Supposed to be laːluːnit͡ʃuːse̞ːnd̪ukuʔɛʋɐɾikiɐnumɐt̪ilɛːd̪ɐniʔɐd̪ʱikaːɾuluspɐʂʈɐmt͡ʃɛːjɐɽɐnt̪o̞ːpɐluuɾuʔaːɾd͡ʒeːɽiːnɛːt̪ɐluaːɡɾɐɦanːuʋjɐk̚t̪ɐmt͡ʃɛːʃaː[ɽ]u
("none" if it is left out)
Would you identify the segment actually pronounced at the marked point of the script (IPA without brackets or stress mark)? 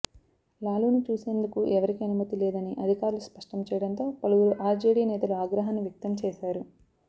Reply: ɾ